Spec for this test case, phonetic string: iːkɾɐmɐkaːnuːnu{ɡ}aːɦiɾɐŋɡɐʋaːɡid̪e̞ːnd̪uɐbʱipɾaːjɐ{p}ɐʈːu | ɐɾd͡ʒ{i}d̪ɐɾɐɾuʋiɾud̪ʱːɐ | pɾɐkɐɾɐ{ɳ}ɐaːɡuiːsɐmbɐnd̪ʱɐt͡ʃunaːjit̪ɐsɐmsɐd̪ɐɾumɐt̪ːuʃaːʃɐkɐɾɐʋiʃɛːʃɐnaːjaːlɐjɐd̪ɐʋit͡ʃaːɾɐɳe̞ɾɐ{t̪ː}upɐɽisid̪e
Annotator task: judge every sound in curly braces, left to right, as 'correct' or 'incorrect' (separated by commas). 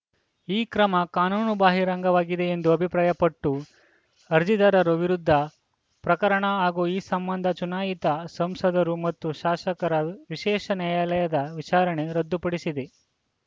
incorrect, correct, correct, correct, incorrect